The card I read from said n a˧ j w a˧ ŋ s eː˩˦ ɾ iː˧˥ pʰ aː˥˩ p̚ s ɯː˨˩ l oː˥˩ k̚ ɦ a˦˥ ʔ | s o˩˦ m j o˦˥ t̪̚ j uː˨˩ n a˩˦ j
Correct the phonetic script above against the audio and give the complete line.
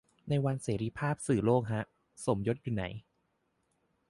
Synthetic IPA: n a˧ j w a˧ n s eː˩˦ ɾ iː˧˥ pʰ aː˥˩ p̚ s ɯː˨˩ l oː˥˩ k̚ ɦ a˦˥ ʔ | s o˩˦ m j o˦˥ t̪̚ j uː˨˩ n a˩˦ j